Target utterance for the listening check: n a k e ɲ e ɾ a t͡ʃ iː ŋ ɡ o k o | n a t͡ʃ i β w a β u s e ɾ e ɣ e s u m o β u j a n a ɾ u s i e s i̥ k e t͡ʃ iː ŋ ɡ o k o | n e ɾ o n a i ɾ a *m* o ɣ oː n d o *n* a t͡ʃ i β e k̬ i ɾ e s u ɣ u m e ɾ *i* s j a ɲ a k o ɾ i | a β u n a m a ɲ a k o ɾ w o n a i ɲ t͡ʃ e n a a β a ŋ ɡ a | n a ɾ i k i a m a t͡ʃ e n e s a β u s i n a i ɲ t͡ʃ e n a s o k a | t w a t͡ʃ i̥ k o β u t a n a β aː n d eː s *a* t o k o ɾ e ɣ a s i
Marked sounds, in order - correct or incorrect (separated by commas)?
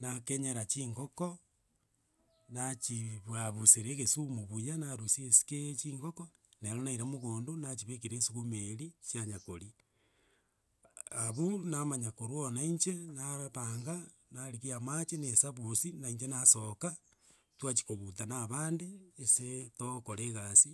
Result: correct, correct, correct, incorrect